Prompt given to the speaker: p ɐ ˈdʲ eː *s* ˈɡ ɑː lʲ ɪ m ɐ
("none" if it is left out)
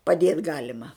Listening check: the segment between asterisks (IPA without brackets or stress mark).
t